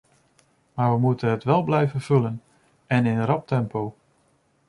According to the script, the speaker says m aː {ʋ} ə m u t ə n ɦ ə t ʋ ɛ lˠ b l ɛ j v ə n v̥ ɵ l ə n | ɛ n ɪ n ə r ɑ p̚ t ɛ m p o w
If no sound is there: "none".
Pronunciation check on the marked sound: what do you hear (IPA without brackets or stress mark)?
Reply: ʋ